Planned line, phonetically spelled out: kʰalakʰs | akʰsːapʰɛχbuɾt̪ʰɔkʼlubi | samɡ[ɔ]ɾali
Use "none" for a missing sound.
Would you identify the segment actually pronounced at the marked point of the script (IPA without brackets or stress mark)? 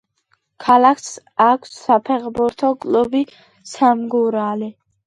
u